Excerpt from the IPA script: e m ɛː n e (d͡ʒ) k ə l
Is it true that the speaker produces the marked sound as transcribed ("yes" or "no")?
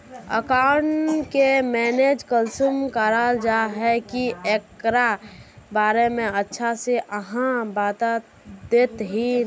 yes